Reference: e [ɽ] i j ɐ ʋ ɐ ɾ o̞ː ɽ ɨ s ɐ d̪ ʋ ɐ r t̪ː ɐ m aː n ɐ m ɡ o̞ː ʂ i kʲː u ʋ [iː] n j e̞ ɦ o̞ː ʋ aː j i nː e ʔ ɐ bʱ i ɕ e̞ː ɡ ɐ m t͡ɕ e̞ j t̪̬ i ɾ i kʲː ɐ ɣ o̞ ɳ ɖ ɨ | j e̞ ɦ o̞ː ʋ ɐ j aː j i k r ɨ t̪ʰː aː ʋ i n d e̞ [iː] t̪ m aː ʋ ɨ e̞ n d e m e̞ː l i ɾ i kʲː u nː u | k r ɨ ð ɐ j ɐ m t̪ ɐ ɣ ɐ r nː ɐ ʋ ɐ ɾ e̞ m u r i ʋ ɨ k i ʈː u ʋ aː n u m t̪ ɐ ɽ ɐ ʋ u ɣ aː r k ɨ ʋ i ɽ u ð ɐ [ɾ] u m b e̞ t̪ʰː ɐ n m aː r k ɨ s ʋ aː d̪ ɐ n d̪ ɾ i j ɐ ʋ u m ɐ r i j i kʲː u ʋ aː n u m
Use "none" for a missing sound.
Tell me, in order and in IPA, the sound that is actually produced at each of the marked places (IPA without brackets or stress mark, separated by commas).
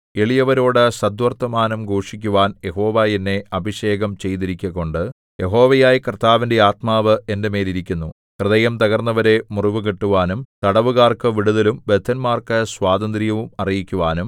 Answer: ɭ, aː, aː, l